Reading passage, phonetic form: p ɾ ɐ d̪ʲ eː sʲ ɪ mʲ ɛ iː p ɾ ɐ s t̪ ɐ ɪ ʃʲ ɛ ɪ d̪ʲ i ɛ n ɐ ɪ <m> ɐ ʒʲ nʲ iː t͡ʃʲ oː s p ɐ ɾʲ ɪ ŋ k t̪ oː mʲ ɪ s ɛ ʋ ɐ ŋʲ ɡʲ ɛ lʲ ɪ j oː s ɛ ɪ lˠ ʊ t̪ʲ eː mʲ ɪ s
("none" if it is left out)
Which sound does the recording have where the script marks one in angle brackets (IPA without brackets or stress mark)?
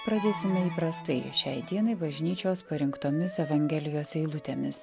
b